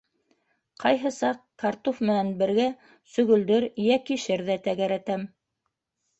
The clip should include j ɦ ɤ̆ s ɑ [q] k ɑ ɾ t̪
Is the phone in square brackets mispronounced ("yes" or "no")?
no